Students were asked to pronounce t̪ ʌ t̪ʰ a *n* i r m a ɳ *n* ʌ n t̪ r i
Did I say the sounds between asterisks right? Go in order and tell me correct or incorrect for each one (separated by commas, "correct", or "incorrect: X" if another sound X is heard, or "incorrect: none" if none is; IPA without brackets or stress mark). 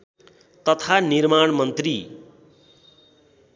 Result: correct, incorrect: m